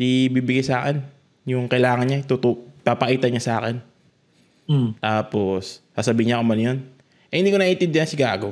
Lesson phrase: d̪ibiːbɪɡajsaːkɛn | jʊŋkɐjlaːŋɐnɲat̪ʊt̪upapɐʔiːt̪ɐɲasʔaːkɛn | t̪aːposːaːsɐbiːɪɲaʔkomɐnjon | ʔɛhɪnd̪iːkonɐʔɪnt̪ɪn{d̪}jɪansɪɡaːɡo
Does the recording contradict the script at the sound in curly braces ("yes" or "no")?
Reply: no